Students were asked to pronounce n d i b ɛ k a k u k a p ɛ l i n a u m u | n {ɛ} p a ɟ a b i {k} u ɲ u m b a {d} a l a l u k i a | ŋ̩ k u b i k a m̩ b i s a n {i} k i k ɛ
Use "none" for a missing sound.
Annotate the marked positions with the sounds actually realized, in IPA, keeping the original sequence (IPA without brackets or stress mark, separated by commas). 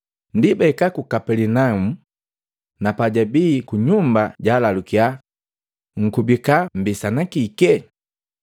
a, k, ɟ, a